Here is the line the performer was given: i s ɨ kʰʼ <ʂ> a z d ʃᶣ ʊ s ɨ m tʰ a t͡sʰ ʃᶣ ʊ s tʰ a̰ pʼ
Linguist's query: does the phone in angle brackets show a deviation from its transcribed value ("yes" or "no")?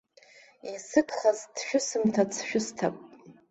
yes